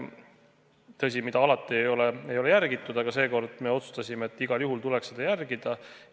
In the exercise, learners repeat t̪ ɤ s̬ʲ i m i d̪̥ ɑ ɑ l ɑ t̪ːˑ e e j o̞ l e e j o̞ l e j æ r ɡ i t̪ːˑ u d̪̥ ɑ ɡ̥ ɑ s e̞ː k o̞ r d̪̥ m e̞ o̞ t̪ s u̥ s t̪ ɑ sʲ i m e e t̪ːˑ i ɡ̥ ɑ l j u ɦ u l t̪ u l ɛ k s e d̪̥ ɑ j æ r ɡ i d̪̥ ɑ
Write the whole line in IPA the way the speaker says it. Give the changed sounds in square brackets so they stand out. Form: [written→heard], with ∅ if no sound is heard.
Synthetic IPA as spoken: t̪ ɤ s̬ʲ i m i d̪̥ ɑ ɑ l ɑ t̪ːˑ [e→i] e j o̞ l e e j o̞ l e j æ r ɡ i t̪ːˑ u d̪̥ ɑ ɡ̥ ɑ s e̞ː k o̞ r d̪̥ m e̞ o̞ t̪ s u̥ s t̪ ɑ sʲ i m e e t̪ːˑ i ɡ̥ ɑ l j u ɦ u l t̪ u l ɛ k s e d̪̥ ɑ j æ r ɡ i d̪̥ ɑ